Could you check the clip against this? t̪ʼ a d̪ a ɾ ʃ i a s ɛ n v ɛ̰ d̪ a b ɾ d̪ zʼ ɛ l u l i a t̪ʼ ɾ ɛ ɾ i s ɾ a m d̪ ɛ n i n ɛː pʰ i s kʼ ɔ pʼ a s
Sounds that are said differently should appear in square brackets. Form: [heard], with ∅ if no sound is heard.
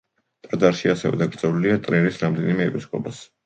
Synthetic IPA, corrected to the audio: t̪ʼ a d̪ a ɾ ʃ i a s ɛ [∅] v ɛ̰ d̪ a [ɡ] ɾ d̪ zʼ ɛ l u l i a t̪ʼ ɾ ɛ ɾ i s ɾ a m d̪ ɛ n i [m] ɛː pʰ i s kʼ ɔ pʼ a s